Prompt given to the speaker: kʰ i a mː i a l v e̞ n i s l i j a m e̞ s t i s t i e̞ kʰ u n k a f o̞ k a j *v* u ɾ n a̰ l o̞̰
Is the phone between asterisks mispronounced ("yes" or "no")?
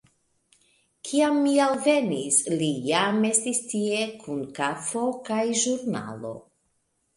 yes